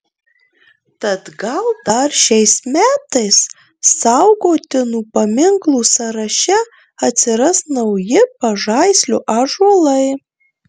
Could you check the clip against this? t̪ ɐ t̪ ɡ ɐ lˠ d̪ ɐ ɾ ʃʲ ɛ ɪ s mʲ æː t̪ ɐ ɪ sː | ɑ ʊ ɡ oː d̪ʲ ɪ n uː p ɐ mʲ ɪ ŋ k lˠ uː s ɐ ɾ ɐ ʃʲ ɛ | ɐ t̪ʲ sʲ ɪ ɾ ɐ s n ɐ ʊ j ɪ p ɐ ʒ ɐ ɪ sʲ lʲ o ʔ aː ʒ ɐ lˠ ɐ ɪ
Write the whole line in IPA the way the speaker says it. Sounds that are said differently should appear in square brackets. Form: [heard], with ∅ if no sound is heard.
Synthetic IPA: t̪ ɐ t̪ ɡ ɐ lˠ d̪ ɐ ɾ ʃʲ ɛ ɪ s mʲ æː t̪ ɐ ɪ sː | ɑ ʊ ɡ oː [t̪ʲ] ɪ n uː p ɐ mʲ ɪ ŋ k lˠ uː s ɐ ɾ ɐ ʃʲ ɛ | ɐ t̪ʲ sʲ ɪ ɾ ɐ s n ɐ ʊ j ɪ p ɐ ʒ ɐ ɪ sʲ lʲ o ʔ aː ʒ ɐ lˠ ɐ ɪ